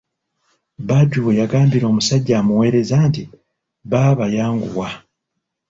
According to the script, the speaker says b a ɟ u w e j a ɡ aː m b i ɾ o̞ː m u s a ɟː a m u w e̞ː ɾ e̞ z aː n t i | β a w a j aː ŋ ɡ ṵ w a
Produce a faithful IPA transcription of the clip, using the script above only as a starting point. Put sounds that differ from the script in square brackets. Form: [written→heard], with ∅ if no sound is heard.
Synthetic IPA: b a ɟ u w e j a ɡ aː m b i ɾ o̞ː m u s a ɟː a m u w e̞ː ɾ e̞ z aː n t i | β a [w→β] a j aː ŋ ɡ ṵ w a